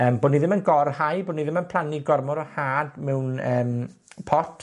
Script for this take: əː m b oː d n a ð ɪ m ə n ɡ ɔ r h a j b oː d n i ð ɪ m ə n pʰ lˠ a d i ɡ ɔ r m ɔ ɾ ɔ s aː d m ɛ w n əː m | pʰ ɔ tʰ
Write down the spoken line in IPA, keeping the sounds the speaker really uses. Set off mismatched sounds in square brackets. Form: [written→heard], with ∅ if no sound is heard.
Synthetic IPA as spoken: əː m b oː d n [a→i] ð ɪ m ə n ɡ ɔ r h a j b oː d n i ð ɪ m ə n pʰ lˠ a [d→n] i ɡ ɔ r m ɔ ɾ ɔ [s→h] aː d m ɛ w n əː m | pʰ ɔ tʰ